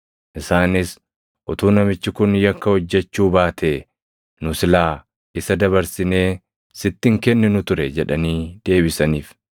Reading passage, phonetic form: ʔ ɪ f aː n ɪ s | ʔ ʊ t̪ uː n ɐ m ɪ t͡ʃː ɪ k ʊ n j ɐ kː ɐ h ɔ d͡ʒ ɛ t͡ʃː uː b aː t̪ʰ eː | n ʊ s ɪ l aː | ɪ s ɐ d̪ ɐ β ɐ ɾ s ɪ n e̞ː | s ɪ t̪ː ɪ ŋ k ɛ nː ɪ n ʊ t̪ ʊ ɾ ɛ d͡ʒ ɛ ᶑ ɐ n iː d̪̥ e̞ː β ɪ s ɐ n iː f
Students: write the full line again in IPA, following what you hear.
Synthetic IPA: ʔ ɪ s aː n ɪ s | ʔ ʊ t̪ uː n ɐ m ɪ t͡ʃː ɪ k ʊ n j ɐ kː ɐ h ɔ d͡ʒː ɛ t͡ʃː uː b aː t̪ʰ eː | n ʊ s ɪ l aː | ɪ s ɐ d̪ ɐ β ɐ ɾ s ɪ n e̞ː | s ɪ t̪ː ɪ ŋ k ɛ nː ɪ n ʊ t̪ ʊ ɾ ɛ d͡ʒ ɛ ᶑ ɐ n iː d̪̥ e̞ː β ɪ s ɐ n iː f

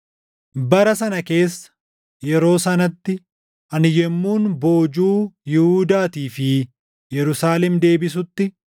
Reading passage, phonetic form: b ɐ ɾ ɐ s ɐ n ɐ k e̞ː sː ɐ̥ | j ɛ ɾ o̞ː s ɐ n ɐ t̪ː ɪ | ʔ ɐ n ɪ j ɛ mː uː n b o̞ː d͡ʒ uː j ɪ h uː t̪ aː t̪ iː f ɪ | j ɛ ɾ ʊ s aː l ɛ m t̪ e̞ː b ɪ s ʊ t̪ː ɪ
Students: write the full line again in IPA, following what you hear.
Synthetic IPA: b ɐ ɾ ɐ s ɐ n ɐ k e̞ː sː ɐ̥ | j ɛ ɾ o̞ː s ɐ n ɐ t̪ː ɪ | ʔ ɐ n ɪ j ɛ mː uː n b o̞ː d͡ʒ uː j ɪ h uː d̪ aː t̪ iː f ɪ | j ɛ ɾ ʊ s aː l ɛ m d̪ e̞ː b ɪ s ʊ t̪ː ɪ

